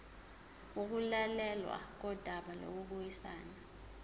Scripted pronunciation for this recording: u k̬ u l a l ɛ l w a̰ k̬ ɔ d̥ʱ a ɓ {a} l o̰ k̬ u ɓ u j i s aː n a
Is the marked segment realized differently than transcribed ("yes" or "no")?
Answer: no